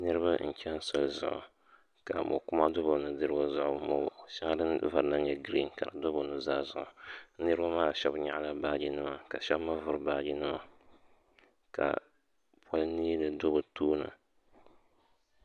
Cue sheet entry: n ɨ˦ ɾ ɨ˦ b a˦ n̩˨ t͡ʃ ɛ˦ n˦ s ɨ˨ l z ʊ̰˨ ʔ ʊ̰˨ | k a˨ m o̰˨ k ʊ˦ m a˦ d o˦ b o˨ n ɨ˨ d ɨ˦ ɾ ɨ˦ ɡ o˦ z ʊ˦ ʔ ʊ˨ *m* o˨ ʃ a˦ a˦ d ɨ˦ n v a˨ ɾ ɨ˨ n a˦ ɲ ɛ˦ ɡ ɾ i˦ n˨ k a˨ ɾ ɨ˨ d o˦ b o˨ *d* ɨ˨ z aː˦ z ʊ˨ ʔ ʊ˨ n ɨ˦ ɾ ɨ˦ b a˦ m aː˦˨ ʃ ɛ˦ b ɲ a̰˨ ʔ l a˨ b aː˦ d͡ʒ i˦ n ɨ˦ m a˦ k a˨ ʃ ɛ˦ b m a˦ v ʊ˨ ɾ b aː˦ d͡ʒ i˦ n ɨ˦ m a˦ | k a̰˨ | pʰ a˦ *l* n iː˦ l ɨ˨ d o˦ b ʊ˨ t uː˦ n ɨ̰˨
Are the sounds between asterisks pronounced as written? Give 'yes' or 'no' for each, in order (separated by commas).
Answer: yes, no, yes